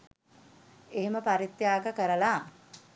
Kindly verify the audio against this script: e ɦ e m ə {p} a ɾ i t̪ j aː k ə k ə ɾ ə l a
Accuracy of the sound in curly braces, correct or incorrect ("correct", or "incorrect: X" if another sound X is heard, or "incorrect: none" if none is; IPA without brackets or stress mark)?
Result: correct